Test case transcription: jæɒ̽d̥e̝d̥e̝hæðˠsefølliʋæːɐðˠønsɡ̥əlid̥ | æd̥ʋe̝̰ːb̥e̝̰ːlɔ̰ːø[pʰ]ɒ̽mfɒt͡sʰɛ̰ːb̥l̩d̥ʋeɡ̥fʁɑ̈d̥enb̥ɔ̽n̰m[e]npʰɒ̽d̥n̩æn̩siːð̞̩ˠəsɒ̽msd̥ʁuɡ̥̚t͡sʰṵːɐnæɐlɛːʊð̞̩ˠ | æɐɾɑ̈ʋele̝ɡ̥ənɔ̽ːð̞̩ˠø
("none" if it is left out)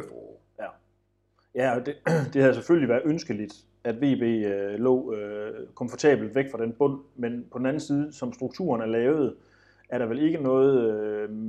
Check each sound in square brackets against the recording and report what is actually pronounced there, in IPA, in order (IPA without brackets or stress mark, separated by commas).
kʰ, e